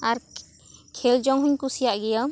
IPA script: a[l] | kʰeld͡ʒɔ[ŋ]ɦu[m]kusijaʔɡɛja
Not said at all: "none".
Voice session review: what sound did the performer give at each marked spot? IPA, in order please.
ɾ, ŋ, ɲ

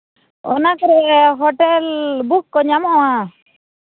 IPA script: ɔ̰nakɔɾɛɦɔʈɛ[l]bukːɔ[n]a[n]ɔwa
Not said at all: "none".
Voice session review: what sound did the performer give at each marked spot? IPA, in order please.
l, ɲ, m

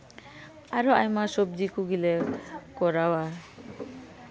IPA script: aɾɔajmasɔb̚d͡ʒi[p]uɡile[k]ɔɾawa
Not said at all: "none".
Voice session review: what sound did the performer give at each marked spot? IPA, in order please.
k, k

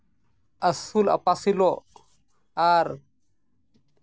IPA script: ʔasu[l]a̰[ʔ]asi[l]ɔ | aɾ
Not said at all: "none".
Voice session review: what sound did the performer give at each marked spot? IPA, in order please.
l, p, l

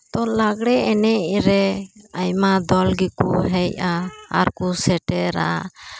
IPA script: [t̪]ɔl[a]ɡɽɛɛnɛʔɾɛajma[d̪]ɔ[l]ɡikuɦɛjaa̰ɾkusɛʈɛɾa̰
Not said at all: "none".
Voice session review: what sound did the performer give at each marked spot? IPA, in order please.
t̪, a, d̪, l

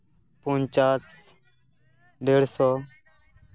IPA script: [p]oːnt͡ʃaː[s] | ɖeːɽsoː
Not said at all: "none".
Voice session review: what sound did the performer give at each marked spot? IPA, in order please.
p, s

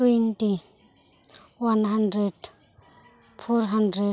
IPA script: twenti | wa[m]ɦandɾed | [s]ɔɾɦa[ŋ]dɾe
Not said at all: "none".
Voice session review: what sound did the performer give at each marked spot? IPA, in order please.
n, f, n

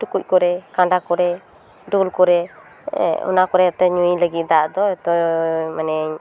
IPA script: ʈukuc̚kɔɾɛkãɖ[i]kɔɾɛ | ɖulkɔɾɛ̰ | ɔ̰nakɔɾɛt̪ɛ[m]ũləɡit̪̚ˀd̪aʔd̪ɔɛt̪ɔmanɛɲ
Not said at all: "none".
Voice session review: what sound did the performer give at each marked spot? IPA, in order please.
a, ɲ

